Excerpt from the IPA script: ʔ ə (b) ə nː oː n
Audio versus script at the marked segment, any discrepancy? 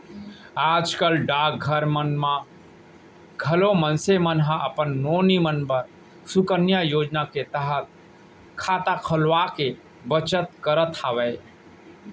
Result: yes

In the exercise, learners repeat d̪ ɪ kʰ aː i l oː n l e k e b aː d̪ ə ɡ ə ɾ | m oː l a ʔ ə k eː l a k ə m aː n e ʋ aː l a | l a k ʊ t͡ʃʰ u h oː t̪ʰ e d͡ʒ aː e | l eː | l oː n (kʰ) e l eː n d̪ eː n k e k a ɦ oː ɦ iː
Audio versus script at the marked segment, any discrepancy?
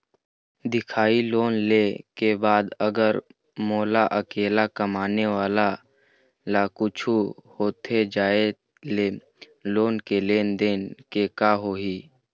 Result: yes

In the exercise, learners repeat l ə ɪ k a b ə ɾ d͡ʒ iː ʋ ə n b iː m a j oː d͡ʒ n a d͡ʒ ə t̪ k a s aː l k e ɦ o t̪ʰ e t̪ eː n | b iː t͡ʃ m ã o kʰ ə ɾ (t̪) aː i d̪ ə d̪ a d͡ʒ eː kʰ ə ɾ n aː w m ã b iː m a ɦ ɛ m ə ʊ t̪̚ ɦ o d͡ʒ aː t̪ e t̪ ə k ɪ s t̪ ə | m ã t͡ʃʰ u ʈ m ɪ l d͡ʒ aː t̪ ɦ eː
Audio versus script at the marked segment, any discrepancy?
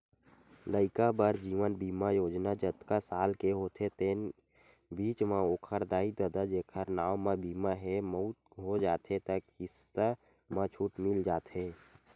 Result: yes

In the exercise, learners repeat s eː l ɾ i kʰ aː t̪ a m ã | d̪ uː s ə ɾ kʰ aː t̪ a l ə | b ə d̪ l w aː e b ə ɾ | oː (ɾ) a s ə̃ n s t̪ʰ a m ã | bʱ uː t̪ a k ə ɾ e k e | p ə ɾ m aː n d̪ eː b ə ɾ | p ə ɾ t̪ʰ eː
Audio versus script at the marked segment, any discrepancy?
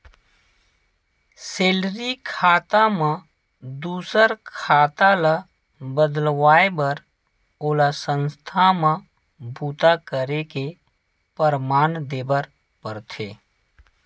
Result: yes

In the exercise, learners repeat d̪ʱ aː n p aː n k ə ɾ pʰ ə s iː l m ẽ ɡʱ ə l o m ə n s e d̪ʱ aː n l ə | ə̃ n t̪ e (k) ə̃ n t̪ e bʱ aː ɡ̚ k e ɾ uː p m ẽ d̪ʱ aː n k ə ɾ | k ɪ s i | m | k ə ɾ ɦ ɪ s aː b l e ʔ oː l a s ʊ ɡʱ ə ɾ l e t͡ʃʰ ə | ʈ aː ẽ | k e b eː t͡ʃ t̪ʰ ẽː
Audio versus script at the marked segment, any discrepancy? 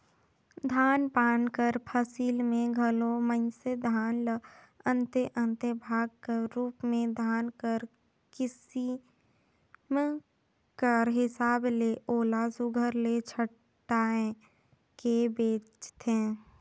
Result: yes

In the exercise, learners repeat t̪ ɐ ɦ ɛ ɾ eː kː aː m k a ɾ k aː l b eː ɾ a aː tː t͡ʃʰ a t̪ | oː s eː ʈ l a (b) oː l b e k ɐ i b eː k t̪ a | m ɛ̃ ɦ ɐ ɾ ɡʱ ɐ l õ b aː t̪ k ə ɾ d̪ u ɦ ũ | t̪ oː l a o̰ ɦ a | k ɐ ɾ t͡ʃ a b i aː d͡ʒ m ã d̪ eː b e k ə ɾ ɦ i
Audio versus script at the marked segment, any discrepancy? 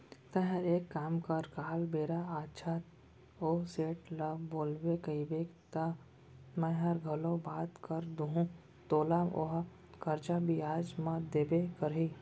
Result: no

